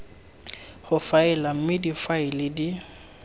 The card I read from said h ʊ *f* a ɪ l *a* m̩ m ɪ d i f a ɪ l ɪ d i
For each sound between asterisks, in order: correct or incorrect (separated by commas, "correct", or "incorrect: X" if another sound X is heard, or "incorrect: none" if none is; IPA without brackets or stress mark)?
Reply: correct, correct